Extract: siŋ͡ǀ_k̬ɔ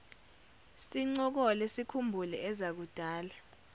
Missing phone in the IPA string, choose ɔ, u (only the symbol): ɔ